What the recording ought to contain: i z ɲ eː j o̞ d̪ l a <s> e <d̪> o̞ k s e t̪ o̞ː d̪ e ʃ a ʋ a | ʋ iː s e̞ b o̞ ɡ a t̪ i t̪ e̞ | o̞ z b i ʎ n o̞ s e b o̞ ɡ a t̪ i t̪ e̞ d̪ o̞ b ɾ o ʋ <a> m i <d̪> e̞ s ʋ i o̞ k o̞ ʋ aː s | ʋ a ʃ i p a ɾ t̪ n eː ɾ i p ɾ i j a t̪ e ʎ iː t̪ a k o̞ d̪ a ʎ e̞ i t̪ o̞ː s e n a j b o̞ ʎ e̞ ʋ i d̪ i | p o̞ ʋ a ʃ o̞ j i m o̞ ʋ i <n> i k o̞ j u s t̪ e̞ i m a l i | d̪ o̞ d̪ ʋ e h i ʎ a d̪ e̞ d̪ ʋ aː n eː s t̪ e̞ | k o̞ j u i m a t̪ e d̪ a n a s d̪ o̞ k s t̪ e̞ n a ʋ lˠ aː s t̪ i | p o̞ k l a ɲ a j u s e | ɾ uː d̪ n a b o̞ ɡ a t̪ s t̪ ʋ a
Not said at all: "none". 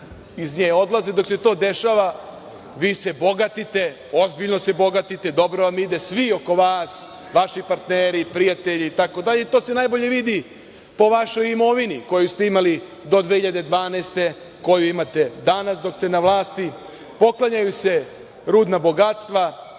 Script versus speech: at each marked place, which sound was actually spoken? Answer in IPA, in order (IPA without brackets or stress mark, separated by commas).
z, d̪, a, d̪, n